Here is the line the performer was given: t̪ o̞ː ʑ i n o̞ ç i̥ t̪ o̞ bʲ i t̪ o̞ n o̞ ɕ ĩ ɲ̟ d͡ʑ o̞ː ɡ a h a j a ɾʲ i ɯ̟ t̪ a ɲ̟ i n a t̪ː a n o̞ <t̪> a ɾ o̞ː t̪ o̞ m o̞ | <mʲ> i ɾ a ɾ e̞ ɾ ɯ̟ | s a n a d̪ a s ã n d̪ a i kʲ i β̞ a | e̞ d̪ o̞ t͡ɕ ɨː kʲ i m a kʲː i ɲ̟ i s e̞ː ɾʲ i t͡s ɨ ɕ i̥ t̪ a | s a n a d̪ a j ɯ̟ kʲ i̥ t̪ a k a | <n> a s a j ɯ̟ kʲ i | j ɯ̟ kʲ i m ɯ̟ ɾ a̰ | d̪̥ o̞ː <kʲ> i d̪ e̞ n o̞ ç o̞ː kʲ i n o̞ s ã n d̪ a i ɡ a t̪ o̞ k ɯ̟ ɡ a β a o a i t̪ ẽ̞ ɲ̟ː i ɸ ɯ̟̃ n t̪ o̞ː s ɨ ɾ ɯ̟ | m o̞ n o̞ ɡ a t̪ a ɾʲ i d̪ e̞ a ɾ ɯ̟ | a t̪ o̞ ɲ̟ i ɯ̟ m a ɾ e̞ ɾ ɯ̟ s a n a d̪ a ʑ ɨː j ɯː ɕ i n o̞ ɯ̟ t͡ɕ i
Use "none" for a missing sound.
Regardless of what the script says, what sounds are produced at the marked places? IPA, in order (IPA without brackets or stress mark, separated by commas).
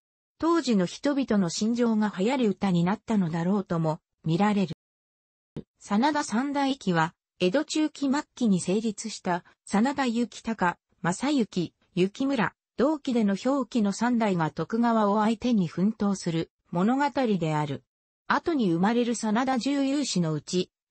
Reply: d̪, mʲ, m, kʲ